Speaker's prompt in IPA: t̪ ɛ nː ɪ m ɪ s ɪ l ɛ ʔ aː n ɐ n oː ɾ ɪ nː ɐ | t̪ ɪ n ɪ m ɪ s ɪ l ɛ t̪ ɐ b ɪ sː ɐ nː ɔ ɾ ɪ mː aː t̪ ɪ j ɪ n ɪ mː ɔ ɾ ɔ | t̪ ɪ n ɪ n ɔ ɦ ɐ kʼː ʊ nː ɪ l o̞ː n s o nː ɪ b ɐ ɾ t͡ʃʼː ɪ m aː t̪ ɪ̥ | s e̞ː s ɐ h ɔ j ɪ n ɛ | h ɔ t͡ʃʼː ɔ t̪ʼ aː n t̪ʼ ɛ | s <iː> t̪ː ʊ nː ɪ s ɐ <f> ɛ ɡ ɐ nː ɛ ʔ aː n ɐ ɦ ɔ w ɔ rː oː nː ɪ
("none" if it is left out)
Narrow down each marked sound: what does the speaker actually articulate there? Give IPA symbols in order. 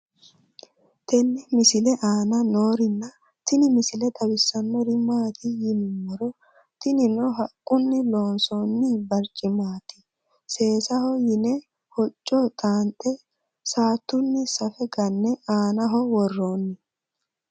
aː, f

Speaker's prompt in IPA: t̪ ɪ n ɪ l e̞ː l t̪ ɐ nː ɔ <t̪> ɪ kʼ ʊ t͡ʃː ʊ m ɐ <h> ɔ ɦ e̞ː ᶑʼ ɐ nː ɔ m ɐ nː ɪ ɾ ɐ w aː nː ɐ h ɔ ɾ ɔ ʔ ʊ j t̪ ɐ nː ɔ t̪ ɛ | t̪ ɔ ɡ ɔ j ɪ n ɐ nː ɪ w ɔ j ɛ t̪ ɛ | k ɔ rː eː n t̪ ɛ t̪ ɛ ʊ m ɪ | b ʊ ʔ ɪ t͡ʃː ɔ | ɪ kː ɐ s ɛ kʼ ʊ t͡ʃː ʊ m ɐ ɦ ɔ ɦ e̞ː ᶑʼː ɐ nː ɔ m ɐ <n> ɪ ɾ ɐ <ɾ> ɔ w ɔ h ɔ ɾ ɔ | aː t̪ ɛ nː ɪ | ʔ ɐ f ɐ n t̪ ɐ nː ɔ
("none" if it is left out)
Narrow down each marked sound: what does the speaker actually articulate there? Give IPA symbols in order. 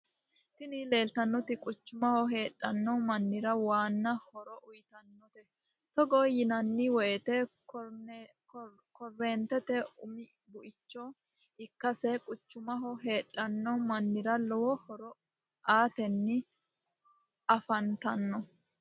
t̪, h, nː, l

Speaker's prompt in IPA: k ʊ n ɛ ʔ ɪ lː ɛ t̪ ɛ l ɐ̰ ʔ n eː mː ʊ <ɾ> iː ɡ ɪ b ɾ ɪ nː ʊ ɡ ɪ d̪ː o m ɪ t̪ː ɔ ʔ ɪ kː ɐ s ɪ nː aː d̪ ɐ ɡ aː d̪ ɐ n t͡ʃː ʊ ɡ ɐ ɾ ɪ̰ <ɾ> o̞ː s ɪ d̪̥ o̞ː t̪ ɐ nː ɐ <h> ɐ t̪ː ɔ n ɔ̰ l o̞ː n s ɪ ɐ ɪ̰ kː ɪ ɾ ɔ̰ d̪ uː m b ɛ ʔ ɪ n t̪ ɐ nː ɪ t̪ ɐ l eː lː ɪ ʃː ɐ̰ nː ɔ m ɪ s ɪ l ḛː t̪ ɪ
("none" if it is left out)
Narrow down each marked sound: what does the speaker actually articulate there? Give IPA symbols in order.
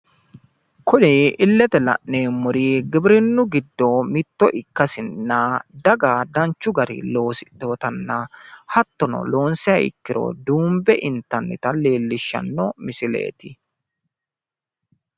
ɾ, l, h

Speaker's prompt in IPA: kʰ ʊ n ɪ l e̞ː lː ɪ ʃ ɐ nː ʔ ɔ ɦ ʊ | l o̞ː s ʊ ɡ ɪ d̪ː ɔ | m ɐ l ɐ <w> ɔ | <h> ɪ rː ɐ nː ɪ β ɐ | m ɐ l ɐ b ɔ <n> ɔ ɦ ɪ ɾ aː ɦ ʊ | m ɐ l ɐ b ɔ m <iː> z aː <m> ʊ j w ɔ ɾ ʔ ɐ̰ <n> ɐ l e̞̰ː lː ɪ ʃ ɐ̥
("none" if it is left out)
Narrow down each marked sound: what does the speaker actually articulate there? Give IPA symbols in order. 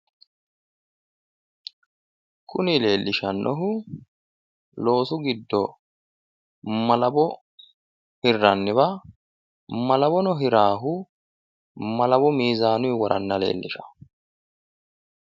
b, h, n, iː, n, nː

